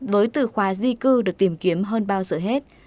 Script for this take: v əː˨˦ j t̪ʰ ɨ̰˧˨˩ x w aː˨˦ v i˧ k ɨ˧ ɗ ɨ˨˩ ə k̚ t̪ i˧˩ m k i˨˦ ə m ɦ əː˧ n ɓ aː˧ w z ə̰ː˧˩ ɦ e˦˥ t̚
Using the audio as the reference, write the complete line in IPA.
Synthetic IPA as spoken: v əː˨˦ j t̪ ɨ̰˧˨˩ x w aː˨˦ z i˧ k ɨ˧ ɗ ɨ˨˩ ə k̚ t̪ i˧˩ m k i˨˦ ə m ɦ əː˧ n ɓ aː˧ w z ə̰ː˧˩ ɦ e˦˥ t̚

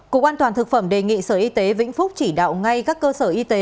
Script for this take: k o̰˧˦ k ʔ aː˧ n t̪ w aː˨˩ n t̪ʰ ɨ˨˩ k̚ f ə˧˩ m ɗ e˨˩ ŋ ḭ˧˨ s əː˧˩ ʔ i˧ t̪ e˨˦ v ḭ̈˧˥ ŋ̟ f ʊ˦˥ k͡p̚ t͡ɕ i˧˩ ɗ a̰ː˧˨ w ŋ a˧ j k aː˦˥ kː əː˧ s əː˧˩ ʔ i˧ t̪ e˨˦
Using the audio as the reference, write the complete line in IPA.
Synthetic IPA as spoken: k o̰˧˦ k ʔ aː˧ n t̪ w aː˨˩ n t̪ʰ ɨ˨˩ k̚ f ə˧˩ m ɗ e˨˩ ŋ ḭ˧˨ s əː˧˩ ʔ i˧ t̪ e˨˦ v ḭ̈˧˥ ŋ̟ f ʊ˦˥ k͡p̚ t͡ɕ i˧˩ ɗ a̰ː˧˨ w ŋ a˧ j k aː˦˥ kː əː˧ s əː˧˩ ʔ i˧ t̪ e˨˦

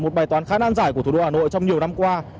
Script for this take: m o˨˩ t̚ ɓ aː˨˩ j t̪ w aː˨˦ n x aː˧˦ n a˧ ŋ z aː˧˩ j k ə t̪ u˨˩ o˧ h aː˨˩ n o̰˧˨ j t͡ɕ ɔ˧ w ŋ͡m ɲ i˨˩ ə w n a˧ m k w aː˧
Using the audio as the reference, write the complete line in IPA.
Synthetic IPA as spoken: m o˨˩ t̚ ɓ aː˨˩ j t̪ w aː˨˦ n x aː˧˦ n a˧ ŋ z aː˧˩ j k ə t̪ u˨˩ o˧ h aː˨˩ n o̰˧˨ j t͡ɕ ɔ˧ w ŋ͡m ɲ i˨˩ ə w n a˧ m k w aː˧

